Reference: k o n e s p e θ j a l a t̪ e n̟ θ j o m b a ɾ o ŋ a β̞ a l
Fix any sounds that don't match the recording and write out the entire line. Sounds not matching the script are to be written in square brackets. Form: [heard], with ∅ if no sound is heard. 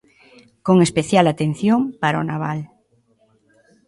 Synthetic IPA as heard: k o [ŋ] e s p e θ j a l a t̪ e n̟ θ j o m [p] a ɾ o [n] a β̞ a l